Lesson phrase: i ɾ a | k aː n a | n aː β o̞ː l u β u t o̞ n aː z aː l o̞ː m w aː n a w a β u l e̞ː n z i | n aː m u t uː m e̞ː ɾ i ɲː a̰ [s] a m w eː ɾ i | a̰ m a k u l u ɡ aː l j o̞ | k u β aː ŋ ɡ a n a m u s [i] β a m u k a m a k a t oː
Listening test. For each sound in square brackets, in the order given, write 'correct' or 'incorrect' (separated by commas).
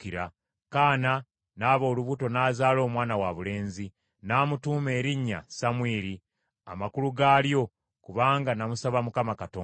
correct, incorrect